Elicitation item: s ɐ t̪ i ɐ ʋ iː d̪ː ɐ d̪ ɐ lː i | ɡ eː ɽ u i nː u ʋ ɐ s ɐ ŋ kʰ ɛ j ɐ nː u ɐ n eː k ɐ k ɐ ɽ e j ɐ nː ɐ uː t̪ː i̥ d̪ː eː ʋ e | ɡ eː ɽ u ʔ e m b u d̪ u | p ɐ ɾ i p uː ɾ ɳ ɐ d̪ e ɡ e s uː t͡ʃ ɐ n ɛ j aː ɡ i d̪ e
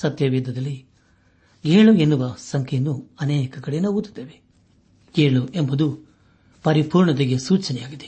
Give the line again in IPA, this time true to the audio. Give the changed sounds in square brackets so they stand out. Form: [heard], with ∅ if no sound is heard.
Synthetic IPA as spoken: s ɐ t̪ [j] ɐ ʋ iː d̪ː ɐ d̪ ɐ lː i | ɡ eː [ɭ] u [e] nː u ʋ ɐ s ɐ ŋ kʰ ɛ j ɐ nː u ɐ n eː k ɐ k ɐ ɽ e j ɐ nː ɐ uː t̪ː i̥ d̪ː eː ʋ e | ɡ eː [ɭ] u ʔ e m b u d̪ u | p ɐ ɾ i p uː ɾ ɳ ɐ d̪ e ɡ e s uː t͡ʃ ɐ n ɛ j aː ɡ i d̪ e